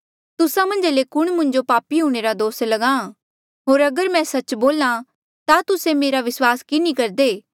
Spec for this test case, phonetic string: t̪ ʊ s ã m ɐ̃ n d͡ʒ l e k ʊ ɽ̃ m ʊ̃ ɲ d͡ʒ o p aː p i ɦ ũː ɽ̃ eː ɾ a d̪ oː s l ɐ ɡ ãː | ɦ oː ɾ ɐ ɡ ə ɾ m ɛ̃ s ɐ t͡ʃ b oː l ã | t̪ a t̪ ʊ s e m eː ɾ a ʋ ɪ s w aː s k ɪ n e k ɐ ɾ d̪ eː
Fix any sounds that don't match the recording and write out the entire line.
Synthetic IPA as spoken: t̪ ʊ s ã m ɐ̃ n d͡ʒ l e k ʊ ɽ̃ m ʊ̃ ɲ d͡ʒ o p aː p i ɦ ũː ɽ̃ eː ɾ a d̪ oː s l ɐ ɡ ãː | ɦ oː ɾ ɐ ɡ ə ɾ m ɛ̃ s ɐ t͡ʃ b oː l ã | t̪ a t̪ ʊ s e m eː ɾ a ʋ ɪ s w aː s k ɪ n i k ɐ ɾ d̪ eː

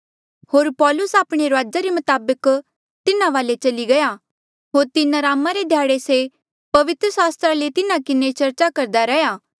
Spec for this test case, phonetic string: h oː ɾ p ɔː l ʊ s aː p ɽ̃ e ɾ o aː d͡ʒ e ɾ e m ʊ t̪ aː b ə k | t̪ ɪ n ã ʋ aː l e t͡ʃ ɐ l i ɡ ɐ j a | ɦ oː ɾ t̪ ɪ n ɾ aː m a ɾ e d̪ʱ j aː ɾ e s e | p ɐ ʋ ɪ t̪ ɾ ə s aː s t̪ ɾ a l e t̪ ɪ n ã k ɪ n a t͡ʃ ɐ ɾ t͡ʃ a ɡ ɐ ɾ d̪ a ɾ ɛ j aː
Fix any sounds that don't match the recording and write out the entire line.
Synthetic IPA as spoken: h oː ɾ p ɔː l ʊ s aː p ɽ̃ e ɾ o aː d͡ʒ a ɾ e m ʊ t̪ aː b ə k | t̪ ɪ n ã ʋ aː l e t͡ʃ ɐ l i ɡ ɐ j a | ɦ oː ɾ t̪ ɪ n ɾ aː m a ɾ e d̪ʱ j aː ɽ e s e | p ɐ ʋ ɪ t̪ ɾ ə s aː s t̪ ɾ a l e t̪ ɪ n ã k ɪ n e t͡ʃ ɐ ɾ t͡ʃ a k ɐ ɾ d̪ a ɾ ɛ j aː

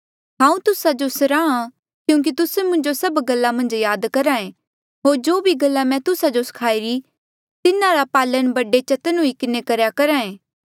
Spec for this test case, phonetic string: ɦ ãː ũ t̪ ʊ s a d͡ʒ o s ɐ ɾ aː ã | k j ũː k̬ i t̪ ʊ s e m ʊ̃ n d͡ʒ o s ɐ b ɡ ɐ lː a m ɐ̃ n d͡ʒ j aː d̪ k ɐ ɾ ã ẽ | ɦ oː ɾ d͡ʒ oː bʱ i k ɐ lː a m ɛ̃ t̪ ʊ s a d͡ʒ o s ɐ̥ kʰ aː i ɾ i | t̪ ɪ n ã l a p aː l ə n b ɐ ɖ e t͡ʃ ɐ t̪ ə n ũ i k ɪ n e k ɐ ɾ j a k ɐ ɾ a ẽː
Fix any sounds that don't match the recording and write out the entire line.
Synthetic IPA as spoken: ɦ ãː ũ t̪ ʊ s a d͡ʒ o s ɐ ɾ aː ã | k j ũː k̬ i t̪ ʊ s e m ʊ̃ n d͡ʒ o s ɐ b ɡ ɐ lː a m ɐ̃ n d͡ʒ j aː d̪ k ɐ ɾ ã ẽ | ɦ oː ɾ d͡ʒ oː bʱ i ɡ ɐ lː a m ɛ̃ t̪ ʊ s a d͡ʒ o s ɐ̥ kʰ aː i ɾ i | t̪ ɪ n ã ɾ a p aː l ə n b ɐ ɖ e t͡ʃ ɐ t̪ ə n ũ i k ɪ n e k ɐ ɾ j a k ɐ ɾ a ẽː

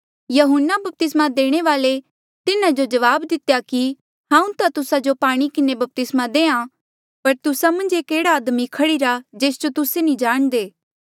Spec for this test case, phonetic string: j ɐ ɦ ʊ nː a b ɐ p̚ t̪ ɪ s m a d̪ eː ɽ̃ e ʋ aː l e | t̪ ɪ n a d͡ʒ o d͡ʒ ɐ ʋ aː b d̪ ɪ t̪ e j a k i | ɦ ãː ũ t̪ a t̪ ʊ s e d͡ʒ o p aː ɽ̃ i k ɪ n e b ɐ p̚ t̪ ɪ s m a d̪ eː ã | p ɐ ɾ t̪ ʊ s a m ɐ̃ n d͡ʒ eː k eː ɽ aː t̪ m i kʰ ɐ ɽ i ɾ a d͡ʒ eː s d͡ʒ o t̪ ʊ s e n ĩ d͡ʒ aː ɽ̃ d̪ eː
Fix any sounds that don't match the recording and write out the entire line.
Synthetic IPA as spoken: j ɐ ɦ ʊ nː a b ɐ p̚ t̪ ɪ s m a d̪ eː ɽ̃ e ʋ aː l e | t̪ ɪ n a d͡ʒ o d͡ʒ ɐ ʋ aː b d̪ ɪ t̪ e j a k i | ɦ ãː ũ t̪ a t̪ ʊ s a d͡ʒ o p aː ɽ̃ i k ɪ n e b ɐ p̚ t̪ ɪ s m a d̪ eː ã | p ɐ ɾ t̪ ʊ s a m ɐ̃ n d͡ʒ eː k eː ɽ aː d̪ m i kʰ ɐ ɽ i ɾ a d͡ʒ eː s d͡ʒ o t̪ ʊ s e n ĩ d͡ʒ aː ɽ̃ d̪ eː

